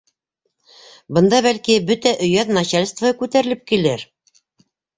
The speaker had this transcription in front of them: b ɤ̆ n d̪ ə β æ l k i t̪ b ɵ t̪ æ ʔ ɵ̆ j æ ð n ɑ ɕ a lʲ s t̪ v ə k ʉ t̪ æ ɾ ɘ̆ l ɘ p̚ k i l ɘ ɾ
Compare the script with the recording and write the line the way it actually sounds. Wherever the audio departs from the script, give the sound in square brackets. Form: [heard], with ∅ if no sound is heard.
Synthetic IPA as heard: b ɤ̆ n d̪ [ɑ] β æ l k i [∅] b ɵ t̪ æ ʔ ɵ̆ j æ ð n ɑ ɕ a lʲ s t̪ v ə k ʉ t̪ æ ɾ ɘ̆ l ɘ p̚ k i l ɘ ɾ